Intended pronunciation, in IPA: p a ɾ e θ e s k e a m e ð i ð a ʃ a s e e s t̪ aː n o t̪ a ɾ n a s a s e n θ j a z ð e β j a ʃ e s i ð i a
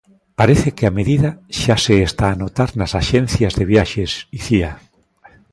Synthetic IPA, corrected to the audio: p a ɾ e θ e k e a m e ð i ð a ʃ a s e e s t̪ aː n o t̪ a ɾ n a s a ʃ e n θ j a z ð e β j a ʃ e s i θ i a